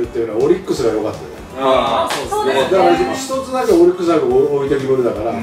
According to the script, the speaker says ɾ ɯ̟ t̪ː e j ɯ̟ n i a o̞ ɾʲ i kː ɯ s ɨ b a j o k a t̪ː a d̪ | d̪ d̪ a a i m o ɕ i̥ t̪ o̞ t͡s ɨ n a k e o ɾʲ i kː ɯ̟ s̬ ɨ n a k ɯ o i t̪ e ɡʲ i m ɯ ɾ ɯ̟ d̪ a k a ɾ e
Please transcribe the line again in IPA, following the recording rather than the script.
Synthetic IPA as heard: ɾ ɯ̟ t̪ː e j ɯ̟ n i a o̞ ɾʲ i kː ɯ s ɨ ɡ a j o k a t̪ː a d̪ | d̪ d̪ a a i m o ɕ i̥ t̪ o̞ t͡s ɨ n a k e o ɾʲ i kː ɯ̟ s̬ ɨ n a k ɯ o i t̪ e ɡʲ i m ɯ ɾ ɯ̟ d̪ a k a ɾ a